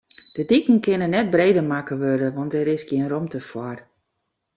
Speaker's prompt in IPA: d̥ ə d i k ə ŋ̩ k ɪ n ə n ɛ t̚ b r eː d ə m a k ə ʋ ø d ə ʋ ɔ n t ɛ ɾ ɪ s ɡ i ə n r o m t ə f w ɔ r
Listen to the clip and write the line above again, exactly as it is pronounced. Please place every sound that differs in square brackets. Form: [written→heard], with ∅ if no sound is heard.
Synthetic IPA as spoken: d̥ ə d i k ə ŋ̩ k ɪ n ə n ɛ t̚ b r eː d ə m a k ə ʋ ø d ə ʋ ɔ n t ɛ ɾ ɪ s ɡ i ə n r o m t ə f w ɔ r